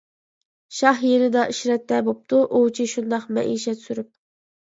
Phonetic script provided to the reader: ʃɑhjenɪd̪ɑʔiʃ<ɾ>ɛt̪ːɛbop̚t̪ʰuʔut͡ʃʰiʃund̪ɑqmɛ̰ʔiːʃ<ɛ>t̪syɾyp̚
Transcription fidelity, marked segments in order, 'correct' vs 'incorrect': correct, correct

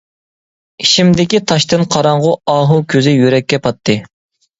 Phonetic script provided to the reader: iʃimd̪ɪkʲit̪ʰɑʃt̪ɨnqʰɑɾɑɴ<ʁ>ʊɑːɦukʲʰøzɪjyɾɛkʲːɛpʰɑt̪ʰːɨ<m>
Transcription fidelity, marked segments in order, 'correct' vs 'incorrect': correct, incorrect: none

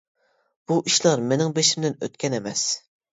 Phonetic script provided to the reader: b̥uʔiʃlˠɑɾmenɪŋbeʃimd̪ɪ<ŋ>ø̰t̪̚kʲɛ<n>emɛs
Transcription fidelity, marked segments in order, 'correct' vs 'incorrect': incorrect: n, correct

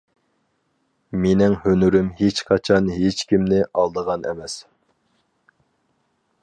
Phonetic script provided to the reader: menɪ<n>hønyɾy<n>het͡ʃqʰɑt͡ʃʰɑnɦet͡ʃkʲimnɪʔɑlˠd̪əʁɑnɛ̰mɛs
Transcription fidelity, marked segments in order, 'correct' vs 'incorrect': incorrect: ŋ, incorrect: m

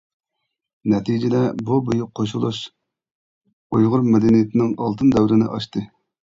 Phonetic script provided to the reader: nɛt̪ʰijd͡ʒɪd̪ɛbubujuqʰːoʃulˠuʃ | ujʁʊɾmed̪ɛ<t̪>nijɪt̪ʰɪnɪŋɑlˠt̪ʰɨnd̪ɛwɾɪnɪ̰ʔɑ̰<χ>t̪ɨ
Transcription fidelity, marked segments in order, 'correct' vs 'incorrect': incorrect: none, incorrect: ʃ

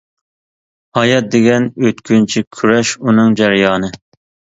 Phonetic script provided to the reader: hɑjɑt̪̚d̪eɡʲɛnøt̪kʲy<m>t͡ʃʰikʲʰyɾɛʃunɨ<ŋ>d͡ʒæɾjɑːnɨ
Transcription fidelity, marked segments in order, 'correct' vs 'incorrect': incorrect: n, correct

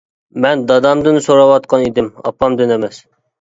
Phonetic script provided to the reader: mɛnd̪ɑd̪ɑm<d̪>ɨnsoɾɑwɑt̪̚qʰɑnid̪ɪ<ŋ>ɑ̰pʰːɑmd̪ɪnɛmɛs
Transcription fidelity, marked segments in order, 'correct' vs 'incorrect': correct, incorrect: m

